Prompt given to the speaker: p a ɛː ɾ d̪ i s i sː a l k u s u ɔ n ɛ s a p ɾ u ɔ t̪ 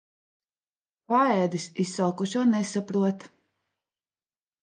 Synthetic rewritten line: p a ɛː d̪ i s i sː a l k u ʃ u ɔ n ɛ s a p ɾ u ɔ t̪